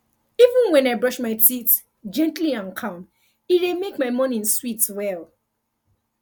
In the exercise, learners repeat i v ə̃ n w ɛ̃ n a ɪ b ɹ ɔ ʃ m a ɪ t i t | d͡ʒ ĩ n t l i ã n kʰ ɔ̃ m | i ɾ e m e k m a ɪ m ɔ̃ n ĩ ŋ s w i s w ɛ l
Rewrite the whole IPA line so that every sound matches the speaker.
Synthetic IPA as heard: i v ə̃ n w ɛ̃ n a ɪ b ɹ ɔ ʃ m a ɪ t i t | d͡ʒ ɛ̃ n t l i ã n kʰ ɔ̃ m | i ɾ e m e k m a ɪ m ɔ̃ n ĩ n s w i t w ɛ l